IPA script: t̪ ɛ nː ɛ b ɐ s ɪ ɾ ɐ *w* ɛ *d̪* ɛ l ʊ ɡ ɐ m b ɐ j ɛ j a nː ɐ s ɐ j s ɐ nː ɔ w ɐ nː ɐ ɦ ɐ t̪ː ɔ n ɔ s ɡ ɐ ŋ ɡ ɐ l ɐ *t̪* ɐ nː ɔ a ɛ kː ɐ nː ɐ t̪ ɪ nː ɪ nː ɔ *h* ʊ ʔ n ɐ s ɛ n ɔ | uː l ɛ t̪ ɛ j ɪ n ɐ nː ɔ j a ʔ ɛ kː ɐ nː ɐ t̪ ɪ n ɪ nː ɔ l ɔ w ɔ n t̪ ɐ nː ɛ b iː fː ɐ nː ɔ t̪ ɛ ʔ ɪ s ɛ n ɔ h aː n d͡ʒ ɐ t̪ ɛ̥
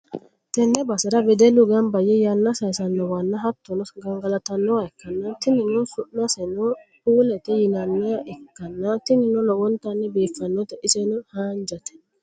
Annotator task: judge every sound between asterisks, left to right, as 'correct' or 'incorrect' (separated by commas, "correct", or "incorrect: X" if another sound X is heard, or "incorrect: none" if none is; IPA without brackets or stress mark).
incorrect: b, correct, correct, incorrect: s